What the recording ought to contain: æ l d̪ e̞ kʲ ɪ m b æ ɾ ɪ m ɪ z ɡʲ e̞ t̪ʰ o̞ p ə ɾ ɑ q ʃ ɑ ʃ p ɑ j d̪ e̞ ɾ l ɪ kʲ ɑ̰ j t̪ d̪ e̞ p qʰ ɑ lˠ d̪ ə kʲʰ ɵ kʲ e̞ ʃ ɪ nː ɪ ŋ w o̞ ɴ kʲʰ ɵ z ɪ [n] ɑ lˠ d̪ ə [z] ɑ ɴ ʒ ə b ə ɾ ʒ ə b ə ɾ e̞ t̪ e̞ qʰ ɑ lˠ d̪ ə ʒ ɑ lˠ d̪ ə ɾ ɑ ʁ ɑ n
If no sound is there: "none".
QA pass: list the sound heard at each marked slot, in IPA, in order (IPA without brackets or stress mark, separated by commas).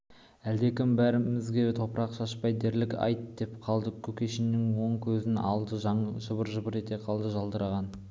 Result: n, ʒ